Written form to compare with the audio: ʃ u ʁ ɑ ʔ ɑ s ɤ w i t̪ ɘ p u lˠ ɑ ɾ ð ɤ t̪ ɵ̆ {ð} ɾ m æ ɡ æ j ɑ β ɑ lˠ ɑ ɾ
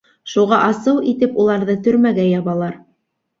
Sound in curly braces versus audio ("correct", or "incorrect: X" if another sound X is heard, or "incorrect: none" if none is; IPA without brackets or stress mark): incorrect: none